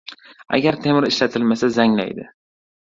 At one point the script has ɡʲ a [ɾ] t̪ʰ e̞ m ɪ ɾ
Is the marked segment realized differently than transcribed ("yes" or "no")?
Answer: no